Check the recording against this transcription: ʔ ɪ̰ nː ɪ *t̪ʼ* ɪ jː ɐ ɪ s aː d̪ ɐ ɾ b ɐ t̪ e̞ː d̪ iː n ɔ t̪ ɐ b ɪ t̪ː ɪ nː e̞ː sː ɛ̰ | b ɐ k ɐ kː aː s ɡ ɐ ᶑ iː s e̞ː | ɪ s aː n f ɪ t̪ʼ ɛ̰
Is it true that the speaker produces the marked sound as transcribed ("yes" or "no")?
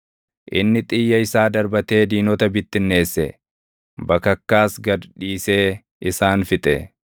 yes